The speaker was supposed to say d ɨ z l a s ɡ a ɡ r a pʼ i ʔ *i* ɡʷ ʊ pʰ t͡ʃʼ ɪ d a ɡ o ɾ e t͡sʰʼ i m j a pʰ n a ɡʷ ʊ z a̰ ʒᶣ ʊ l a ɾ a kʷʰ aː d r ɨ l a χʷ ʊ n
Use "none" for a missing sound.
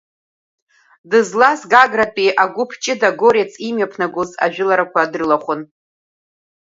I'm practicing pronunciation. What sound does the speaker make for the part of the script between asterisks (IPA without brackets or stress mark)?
a